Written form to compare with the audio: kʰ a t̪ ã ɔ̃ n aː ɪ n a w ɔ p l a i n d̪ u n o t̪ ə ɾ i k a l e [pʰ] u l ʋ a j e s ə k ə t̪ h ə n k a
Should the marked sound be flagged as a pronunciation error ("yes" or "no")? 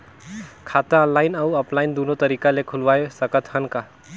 yes